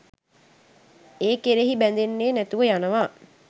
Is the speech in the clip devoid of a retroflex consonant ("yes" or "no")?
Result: yes